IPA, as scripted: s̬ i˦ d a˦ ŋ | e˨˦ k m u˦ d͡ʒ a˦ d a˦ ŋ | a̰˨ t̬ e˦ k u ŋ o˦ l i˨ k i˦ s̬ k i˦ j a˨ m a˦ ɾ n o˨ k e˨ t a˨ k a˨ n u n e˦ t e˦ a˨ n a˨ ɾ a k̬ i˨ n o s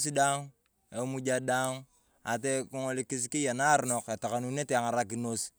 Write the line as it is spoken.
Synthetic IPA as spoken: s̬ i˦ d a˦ ŋ | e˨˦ m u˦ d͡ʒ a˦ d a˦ ŋ | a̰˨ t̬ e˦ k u ŋ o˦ l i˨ k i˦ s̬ k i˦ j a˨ n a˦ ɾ n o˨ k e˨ t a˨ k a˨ n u n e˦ t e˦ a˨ ŋ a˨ ɾ a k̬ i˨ n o s